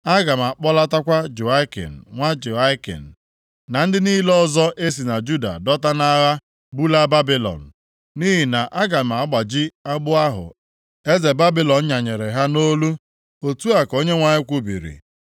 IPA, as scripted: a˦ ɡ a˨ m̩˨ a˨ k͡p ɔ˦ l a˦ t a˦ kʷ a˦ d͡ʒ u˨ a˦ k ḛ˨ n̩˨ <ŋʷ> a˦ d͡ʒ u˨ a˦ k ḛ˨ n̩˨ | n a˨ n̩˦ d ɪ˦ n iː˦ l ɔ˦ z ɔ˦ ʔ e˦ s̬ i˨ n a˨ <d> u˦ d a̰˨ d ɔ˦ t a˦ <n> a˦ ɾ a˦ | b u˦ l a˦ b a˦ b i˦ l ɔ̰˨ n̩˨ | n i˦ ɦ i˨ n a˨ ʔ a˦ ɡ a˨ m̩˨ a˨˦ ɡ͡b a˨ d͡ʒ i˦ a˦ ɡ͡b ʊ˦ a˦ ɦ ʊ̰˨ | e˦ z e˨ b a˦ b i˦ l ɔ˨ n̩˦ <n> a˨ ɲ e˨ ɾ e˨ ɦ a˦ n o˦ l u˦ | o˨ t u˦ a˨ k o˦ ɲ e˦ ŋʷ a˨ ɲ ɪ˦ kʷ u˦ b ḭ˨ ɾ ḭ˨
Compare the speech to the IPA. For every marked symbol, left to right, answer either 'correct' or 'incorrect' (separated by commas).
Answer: correct, incorrect, correct, incorrect